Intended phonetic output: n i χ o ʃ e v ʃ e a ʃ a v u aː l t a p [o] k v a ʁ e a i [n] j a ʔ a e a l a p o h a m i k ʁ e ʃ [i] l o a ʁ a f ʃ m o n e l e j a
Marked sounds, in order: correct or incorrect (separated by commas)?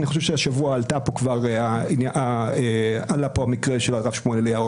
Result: correct, correct, incorrect